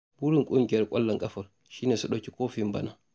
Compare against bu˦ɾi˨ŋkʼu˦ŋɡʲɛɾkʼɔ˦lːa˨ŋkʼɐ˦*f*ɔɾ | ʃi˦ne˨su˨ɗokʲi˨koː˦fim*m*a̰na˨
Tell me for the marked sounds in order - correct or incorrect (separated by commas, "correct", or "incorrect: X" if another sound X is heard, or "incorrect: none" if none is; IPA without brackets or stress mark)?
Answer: correct, incorrect: b